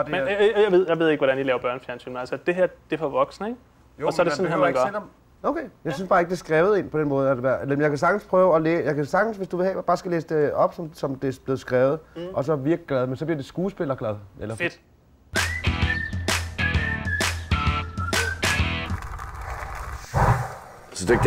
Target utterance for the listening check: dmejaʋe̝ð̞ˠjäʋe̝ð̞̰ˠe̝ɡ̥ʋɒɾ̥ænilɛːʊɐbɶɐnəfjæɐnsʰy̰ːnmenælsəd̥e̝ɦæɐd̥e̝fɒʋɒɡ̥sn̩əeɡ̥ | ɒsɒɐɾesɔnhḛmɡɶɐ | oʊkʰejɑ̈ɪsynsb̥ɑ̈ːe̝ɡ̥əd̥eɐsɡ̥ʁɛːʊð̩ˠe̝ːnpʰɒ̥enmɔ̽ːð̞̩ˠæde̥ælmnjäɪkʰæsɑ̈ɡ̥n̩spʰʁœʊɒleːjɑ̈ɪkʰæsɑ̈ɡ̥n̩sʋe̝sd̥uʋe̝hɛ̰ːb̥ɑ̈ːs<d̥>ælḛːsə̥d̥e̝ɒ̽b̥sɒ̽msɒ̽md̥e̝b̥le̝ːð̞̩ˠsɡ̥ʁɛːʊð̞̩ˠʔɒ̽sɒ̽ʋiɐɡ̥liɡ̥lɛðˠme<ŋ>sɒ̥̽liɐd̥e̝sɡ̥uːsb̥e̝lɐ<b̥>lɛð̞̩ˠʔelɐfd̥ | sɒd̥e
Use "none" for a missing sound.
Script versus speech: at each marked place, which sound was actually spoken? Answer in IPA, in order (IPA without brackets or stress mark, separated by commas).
ɡ̥, n, ɡ̥